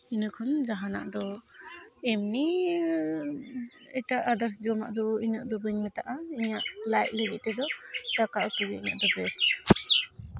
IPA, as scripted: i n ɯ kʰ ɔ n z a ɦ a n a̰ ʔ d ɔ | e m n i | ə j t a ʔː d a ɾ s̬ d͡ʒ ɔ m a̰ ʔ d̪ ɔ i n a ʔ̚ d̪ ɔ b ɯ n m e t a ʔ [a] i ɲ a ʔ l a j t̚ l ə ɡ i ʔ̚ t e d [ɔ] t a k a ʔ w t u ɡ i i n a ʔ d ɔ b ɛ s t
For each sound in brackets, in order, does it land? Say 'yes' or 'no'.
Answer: yes, yes

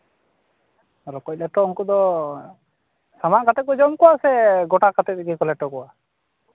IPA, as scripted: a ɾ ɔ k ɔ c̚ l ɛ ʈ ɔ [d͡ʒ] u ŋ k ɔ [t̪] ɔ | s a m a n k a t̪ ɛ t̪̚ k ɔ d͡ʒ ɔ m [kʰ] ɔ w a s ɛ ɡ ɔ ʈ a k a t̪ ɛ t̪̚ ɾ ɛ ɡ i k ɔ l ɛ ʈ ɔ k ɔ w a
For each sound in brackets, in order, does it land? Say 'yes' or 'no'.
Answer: no, no, no

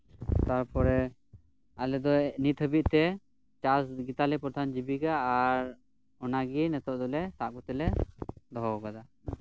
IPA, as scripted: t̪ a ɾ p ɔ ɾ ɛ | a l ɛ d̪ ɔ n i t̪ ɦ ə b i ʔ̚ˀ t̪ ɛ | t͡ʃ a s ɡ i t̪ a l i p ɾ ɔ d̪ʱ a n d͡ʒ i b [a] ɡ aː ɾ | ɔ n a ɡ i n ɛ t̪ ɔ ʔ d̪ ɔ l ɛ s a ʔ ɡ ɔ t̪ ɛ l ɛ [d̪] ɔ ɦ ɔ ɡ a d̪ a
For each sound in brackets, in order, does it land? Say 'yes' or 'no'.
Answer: no, yes

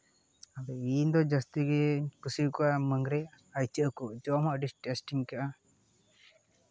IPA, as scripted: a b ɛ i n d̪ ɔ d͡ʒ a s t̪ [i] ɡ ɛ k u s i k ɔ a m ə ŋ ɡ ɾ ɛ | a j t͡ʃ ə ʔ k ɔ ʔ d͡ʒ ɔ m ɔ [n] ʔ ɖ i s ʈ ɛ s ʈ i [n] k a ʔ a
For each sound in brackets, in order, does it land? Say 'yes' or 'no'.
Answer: yes, no, no

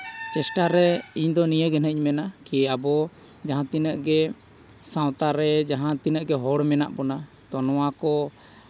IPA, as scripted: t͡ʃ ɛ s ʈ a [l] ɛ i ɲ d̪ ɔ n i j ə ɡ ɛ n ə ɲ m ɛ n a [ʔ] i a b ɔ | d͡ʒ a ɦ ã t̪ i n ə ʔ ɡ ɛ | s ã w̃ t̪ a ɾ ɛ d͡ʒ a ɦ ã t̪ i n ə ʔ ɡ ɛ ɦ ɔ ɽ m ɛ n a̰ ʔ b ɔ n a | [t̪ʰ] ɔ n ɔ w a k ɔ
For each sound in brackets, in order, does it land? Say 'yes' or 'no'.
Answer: no, no, no

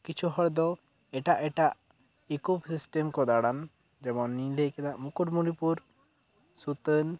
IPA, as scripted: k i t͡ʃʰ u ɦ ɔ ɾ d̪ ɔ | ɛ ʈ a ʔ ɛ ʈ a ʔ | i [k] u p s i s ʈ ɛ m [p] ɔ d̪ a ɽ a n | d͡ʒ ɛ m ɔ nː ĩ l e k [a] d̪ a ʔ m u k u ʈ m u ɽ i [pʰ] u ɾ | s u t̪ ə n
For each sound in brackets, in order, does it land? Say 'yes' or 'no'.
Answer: yes, no, no, no

